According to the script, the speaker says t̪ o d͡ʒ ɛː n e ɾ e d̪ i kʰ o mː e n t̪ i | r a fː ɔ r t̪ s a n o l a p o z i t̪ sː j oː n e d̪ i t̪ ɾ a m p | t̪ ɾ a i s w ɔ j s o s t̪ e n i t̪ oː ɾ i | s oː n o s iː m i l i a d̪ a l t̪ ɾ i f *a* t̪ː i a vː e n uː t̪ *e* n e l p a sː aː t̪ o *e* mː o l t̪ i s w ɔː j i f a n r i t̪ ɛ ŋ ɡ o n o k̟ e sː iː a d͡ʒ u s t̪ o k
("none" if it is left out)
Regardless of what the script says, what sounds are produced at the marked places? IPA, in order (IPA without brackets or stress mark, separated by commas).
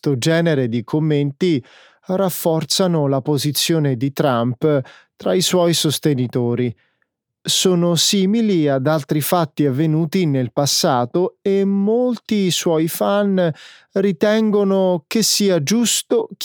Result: a, i, e